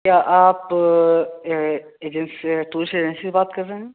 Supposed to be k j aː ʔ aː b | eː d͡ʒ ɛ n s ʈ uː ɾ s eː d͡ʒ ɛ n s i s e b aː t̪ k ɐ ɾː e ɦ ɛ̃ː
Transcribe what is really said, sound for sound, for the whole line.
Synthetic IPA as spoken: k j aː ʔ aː p | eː d͡ʒ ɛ n s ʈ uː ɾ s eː d͡ʒ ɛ n s i s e b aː t̪ k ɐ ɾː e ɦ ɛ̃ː